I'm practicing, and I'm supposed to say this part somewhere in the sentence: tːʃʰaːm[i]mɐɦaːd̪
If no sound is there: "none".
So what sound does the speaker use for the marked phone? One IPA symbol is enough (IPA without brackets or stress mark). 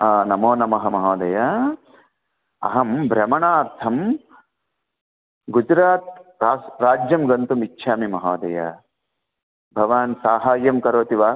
i